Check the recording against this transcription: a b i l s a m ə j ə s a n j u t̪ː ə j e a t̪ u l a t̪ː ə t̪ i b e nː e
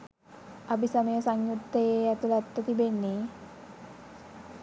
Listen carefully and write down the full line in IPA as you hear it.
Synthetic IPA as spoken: a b i s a m ə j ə s a ŋ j u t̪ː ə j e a t̪ u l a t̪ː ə t̪ i b e nː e